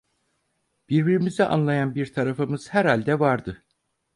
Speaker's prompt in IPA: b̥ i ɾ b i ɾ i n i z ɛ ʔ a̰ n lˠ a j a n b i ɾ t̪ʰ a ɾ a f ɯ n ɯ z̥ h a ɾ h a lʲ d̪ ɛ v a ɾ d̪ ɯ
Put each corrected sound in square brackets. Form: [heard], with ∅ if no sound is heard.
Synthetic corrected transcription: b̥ i ɾ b i ɾ i [m] i z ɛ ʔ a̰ n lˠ a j a n b i ɾ t̪ʰ a ɾ a f ɯ [m] ɯ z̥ h [æ] ɾ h a lʲ d̪ ɛ v a ɾ d̪ ɯ